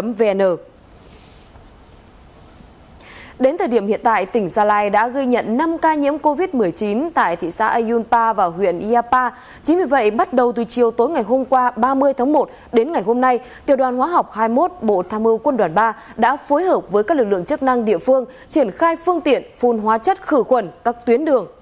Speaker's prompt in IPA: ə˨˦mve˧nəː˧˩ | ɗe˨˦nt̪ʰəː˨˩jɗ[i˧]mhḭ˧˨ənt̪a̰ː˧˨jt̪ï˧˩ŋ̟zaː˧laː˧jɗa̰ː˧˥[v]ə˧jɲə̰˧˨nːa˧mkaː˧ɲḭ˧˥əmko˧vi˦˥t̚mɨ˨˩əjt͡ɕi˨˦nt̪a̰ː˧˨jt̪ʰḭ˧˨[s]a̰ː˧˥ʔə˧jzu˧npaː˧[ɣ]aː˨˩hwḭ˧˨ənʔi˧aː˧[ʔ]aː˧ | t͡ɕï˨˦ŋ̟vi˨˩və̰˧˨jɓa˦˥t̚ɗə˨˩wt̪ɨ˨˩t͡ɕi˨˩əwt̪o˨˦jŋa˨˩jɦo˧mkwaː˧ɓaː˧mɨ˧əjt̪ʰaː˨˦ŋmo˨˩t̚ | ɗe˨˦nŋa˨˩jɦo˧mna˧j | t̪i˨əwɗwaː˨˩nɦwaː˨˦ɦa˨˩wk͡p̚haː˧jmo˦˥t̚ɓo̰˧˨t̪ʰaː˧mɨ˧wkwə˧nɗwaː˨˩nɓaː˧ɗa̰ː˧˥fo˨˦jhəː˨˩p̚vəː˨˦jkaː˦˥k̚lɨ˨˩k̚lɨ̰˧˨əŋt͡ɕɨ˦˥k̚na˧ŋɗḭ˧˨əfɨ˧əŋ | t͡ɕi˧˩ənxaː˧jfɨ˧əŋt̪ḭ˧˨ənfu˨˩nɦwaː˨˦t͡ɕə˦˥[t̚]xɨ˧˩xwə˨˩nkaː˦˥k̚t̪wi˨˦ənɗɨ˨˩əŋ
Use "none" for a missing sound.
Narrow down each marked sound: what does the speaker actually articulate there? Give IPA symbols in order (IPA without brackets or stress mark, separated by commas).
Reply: i˧˩, ɣ, s, v, p, t̚